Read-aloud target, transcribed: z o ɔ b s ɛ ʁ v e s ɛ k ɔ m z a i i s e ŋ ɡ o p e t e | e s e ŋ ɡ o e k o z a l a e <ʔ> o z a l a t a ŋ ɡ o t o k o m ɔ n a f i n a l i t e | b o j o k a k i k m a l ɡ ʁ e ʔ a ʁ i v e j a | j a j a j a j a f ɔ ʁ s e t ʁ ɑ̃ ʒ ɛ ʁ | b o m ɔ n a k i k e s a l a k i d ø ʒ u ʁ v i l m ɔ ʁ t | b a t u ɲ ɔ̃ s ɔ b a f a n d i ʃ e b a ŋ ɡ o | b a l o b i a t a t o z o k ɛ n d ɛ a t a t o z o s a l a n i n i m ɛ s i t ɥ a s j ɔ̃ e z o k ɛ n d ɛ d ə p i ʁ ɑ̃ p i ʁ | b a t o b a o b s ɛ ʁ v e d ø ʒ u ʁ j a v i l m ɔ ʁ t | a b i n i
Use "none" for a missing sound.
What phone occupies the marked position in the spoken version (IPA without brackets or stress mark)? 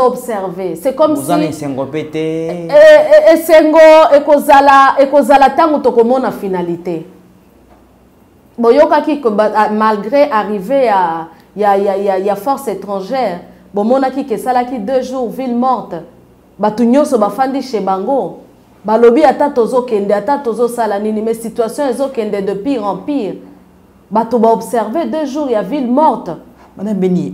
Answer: k